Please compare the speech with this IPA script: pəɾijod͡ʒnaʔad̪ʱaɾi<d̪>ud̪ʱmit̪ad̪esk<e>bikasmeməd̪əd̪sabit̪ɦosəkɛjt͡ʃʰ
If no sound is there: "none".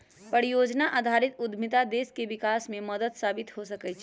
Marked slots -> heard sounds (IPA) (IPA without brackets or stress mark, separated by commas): t̪, e